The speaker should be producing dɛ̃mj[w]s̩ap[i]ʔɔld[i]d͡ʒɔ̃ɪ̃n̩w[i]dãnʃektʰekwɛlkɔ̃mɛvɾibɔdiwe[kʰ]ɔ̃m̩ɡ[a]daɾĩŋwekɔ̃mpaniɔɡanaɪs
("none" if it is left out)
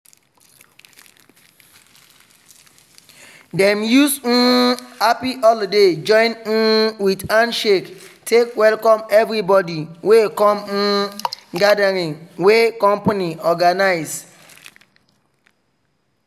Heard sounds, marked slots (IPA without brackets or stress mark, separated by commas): u, i, e, i, k, a